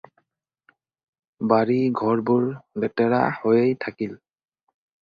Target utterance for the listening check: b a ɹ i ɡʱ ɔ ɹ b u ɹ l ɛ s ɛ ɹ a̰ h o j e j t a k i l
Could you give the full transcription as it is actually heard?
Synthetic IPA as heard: b a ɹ i ɡʱ ɔ ɹ b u ɹ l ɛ t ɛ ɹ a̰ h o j e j tʰ a k i l